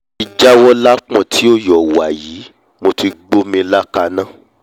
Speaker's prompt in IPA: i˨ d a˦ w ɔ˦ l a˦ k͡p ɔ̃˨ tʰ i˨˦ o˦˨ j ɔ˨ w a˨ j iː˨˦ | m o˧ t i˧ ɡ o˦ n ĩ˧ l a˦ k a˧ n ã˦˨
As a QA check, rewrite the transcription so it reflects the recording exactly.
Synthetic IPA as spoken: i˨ d͡ʒ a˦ w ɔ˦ l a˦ k͡p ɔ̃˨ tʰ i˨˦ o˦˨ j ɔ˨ w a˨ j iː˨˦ | m o˧ t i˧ ɡ͡b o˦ m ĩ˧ l a˦ k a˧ n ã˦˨

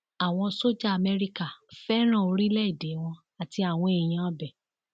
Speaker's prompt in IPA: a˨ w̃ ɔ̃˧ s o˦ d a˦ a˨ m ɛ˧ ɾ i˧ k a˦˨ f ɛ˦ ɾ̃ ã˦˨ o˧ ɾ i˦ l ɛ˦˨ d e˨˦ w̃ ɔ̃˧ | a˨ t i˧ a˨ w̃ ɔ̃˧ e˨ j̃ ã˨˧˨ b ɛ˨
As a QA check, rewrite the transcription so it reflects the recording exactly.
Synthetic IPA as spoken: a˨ w̃ ɔ̃˧ s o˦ d͡ʒ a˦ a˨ m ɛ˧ ɾ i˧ k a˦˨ f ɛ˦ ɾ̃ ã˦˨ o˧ ɾ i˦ l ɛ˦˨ d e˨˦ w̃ ɔ̃˧ | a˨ t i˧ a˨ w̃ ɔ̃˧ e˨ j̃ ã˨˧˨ b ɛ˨

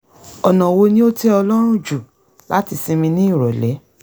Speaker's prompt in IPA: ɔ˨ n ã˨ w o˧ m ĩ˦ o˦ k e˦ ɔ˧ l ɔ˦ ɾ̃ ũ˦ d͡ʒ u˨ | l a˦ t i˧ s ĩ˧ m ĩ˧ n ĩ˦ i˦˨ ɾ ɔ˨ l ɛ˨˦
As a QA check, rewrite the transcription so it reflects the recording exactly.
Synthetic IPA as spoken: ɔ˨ n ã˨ w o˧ n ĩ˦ o˦ t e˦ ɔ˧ l ɔ˦ ɾ̃ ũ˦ d͡ʒ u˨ | l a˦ t i˧ s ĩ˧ m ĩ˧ n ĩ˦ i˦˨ ɾ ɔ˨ l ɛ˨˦

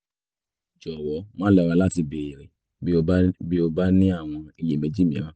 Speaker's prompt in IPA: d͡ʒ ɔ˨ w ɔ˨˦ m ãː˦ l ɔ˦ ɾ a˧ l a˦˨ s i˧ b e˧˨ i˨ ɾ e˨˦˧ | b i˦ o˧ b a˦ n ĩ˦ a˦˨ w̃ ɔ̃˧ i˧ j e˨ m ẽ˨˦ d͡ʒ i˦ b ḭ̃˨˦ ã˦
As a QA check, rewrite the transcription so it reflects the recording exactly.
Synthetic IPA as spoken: d͡ʒ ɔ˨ w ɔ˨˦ m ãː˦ l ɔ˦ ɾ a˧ l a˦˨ t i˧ b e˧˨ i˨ ɾ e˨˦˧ | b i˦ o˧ b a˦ n ĩ˦ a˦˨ w̃ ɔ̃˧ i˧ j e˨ m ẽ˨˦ d͡ʒ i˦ m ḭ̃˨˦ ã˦

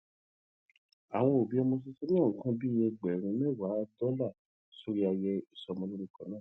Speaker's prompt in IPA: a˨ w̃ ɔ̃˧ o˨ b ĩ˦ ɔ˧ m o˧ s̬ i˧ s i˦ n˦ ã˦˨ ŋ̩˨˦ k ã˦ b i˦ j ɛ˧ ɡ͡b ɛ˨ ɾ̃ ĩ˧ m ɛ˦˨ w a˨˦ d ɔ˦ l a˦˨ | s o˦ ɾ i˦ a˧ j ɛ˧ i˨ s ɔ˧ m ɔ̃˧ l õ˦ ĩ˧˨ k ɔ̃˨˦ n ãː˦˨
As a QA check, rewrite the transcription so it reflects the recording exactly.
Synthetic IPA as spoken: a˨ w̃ ɔ̃˧ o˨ b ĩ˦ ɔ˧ m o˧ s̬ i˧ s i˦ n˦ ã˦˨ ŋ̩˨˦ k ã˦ b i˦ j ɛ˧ ɡ͡b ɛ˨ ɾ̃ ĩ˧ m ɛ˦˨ w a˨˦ d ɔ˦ l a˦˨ | s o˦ ɾ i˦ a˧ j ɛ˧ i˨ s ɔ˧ m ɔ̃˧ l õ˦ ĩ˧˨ k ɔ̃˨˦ n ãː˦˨

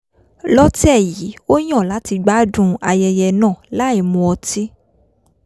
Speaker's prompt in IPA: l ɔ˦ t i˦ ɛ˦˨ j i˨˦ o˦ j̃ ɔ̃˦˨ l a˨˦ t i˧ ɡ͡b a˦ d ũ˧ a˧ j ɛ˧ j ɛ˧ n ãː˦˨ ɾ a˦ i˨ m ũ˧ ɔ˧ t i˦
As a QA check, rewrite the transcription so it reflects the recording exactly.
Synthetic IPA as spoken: l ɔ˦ t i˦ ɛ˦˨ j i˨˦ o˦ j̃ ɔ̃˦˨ l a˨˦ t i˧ ɡ͡b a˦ d ũ˧ a˧ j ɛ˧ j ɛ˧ n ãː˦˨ l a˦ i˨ m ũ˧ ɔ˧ t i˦

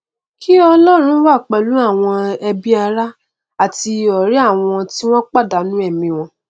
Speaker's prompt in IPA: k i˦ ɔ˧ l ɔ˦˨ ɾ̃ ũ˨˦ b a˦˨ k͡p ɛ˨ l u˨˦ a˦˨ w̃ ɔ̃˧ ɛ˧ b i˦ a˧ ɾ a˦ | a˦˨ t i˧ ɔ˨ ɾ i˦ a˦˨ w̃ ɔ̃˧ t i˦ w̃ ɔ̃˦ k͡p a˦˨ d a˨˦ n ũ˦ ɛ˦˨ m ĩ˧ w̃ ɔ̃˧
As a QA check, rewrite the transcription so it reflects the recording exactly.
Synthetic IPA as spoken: k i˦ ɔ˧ l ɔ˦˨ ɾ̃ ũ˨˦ w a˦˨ k͡p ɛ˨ l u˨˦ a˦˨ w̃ ɔ̃˧ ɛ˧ b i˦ a˧ ɾ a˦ | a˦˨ t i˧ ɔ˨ ɾ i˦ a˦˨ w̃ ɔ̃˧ t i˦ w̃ ɔ̃˦ k͡p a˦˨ d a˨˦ n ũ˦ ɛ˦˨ m ĩ˧ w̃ ɔ̃˧

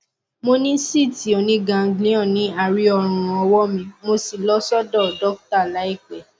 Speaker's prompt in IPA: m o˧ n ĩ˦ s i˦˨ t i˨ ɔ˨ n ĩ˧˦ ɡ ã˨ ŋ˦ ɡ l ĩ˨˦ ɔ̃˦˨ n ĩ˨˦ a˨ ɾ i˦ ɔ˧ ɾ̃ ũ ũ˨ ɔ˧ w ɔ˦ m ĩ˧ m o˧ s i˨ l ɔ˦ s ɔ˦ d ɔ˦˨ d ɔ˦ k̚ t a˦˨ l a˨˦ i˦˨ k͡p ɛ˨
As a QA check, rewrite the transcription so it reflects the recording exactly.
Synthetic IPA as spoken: m o˧ n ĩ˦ s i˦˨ t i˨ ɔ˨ n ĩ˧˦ ɡ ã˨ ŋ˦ ɡ l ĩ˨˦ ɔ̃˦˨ n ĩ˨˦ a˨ ɾ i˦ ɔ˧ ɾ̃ ũ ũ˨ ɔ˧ w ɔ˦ m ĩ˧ m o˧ s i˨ l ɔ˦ s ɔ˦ d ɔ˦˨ d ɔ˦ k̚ t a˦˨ l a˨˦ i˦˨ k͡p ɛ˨

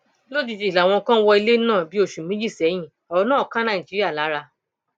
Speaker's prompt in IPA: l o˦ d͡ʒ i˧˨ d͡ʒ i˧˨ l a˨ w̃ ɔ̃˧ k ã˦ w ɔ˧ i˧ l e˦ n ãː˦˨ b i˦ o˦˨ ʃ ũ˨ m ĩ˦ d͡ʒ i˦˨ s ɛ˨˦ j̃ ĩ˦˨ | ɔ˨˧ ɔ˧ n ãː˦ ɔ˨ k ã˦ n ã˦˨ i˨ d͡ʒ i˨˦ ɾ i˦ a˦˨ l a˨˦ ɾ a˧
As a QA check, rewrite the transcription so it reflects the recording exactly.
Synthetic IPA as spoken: l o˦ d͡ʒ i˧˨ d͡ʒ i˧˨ l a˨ w̃ ɔ̃˧ k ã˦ w ɔ˧ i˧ l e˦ n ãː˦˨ b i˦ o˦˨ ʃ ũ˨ m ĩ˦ d͡ʒ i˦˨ s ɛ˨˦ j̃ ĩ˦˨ | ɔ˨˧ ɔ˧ n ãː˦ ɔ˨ k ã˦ n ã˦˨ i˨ d͡ʒ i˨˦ ɾ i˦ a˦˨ l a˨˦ ɾ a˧

